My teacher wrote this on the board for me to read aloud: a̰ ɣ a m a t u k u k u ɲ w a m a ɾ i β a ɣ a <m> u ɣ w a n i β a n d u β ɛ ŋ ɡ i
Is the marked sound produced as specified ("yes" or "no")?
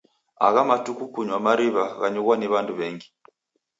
no